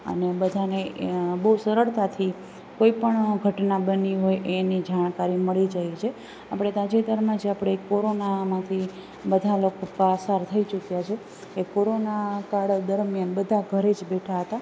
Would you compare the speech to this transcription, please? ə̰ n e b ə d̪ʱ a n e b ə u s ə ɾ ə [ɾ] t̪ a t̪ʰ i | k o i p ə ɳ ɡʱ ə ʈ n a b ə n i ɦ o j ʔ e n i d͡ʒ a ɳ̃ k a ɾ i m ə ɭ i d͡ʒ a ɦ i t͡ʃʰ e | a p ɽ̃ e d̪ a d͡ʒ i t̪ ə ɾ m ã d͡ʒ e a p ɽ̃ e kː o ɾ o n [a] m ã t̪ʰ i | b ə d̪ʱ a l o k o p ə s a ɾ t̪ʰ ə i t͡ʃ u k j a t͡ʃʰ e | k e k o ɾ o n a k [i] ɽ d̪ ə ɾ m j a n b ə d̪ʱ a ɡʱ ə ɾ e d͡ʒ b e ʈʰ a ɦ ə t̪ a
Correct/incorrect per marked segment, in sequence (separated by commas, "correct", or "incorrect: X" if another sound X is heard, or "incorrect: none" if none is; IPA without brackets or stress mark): incorrect: ɭ, correct, incorrect: a